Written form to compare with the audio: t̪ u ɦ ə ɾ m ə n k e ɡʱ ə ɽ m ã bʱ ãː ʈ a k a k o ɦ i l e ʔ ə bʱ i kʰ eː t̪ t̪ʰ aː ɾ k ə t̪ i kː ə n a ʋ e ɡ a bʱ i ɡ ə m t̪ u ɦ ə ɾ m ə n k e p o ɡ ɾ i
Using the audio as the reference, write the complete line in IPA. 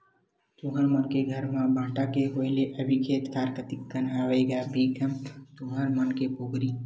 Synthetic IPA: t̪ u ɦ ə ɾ m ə n k e ɡʱ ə ɾ m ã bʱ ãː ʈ a k e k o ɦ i l e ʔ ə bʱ i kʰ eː t̪ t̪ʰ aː ɾ k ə t̪ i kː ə n a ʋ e ɡ a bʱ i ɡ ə m t̪ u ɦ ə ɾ m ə n k e p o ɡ ɾ i